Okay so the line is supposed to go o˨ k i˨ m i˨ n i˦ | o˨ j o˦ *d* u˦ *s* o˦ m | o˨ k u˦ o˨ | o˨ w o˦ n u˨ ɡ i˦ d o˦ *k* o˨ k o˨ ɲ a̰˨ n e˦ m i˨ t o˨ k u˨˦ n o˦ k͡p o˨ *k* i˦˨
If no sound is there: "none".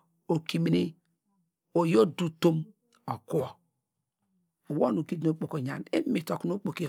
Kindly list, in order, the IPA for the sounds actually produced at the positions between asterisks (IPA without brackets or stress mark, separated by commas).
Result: d, t, k͡p, k